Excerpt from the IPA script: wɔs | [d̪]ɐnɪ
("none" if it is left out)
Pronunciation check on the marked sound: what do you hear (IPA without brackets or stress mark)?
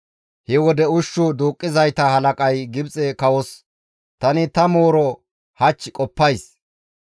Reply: t̪